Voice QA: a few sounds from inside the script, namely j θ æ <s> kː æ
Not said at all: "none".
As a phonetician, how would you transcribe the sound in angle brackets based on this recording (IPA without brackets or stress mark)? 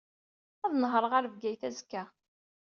z